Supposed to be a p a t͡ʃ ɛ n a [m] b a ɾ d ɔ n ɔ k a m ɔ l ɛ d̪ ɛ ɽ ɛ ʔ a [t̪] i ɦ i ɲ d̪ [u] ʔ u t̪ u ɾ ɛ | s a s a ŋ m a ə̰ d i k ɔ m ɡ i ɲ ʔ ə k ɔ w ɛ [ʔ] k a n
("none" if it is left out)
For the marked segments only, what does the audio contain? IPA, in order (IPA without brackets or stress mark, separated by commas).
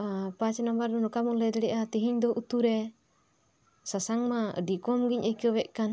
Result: m, t̪, ɔ, ʔ